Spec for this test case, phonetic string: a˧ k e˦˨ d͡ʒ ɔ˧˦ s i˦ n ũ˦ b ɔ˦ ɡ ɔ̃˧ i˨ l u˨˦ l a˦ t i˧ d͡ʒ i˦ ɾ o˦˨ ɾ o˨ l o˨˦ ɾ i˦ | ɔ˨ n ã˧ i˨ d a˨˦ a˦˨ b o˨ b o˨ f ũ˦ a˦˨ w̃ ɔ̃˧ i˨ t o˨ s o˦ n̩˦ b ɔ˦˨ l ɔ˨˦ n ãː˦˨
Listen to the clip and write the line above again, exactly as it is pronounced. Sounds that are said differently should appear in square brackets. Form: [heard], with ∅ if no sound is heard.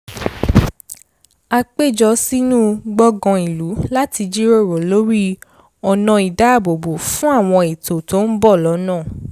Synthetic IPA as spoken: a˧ [k͡p] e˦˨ d͡ʒ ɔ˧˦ s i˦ n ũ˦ [ɡ͡b] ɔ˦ ɡ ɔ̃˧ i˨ l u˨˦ l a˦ t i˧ d͡ʒ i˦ ɾ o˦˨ ɾ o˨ l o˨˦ ɾ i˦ | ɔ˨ n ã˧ i˨ d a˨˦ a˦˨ b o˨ b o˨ f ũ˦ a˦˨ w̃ ɔ̃˧ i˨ t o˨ [t] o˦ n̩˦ b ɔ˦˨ l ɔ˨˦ n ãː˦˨